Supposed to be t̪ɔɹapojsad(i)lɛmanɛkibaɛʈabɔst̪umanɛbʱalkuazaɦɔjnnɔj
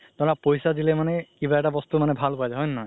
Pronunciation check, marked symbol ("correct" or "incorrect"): correct